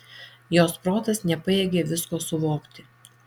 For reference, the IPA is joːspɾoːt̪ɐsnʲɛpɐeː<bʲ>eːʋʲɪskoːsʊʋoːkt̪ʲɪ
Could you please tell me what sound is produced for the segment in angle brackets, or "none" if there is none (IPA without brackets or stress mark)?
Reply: ɡʲ